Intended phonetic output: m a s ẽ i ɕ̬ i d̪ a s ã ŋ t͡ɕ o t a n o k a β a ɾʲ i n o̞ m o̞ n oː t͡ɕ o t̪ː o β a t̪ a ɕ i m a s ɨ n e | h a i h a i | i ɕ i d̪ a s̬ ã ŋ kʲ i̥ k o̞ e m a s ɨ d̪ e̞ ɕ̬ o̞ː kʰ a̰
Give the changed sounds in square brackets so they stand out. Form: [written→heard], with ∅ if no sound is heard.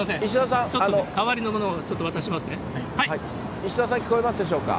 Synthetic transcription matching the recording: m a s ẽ i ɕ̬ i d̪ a s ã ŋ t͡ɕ o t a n o k a β a ɾʲ i n o̞ m o̞ n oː t͡ɕ o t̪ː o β a t̪ a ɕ i m a s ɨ n e | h a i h a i | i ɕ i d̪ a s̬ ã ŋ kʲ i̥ k o̞ e m a s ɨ d̪ e̞ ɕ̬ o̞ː [kʰ→k] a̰